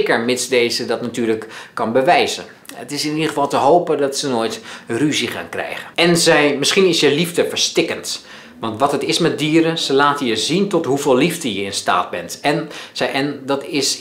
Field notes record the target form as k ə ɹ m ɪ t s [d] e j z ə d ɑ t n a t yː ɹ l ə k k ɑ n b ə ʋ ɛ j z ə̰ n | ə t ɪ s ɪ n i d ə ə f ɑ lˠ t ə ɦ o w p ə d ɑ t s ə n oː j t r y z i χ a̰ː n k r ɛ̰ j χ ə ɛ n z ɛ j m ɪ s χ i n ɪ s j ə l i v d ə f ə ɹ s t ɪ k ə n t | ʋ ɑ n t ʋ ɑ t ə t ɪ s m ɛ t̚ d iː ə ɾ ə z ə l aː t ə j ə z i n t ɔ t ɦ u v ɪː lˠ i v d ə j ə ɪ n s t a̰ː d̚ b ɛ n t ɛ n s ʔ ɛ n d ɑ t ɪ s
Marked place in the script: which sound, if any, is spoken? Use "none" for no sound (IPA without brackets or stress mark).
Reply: d